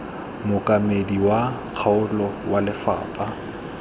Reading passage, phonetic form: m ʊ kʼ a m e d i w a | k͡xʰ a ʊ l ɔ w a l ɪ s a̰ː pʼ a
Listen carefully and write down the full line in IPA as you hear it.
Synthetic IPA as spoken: m ʊ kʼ a m e d i w a | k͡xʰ a ʊ l ɔ w a l ɪ f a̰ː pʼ a